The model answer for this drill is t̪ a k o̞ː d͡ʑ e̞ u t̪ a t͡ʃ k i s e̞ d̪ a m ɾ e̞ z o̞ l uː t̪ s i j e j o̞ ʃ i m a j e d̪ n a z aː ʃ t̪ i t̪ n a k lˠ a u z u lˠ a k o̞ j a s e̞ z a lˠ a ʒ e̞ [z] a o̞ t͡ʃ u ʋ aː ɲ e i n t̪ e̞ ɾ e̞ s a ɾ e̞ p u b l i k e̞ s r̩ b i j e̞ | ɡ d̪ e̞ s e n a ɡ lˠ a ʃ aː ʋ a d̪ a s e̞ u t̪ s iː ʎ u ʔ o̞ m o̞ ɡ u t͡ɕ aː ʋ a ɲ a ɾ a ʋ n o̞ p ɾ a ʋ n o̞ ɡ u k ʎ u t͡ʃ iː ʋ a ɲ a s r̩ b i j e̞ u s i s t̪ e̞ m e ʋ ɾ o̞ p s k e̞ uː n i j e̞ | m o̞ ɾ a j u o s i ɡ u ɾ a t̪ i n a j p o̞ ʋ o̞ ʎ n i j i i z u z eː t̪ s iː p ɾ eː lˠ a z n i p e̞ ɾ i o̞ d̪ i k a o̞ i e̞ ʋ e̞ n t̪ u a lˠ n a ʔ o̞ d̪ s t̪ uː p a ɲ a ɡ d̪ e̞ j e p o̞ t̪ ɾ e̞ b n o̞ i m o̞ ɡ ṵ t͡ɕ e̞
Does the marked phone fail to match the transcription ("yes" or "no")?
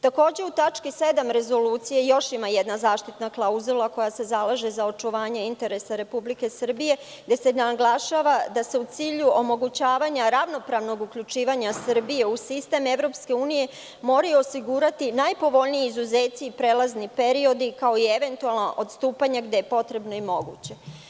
no